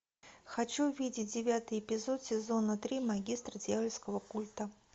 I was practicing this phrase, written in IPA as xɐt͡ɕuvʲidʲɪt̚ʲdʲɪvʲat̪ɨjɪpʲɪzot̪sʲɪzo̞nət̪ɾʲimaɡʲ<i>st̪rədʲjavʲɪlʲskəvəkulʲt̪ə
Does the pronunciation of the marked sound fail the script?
no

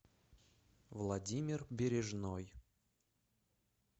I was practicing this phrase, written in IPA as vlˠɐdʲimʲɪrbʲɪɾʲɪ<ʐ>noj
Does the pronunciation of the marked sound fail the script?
no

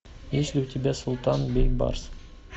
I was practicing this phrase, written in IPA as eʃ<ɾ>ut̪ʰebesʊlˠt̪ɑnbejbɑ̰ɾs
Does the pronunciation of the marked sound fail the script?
yes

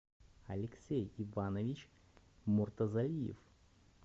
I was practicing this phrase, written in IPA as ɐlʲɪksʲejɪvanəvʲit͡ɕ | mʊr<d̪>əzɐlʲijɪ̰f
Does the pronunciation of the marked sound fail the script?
yes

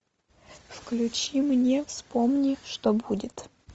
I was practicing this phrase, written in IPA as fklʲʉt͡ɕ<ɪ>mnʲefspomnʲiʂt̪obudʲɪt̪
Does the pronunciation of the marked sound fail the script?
yes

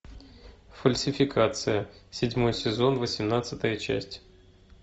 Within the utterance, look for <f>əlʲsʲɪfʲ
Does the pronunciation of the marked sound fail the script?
no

